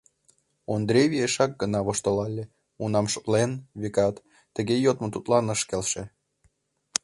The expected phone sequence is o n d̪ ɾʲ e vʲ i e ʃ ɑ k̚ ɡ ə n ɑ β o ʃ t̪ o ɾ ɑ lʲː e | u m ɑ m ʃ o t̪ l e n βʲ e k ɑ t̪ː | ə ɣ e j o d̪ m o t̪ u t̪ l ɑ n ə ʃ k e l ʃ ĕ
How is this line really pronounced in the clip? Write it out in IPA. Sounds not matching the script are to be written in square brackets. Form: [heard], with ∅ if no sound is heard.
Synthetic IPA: o n d̪ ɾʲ e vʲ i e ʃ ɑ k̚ ɡ ə n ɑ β o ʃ t̪ o [l] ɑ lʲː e | u [n] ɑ m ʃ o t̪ l e n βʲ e k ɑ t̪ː | ə ɣ e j o [t̪] m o t̪ u t̪ l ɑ n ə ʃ k e l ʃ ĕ